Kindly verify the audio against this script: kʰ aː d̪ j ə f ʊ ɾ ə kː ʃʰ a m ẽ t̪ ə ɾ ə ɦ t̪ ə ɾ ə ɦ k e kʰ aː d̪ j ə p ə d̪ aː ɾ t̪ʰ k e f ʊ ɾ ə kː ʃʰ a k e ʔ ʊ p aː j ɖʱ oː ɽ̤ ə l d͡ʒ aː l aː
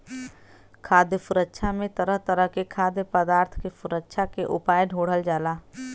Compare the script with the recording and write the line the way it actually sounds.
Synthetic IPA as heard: kʰ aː d̪ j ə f ʊ ɾ ə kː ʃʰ a m ẽ t̪ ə ɾ ə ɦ t̪ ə ɾ ə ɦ k e kʰ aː d̪ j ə p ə d̪ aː ɾ t̪ʰ k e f ʊ ɾ ə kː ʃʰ a k e ʔ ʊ p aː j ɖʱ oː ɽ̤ ə l d͡ʒ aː l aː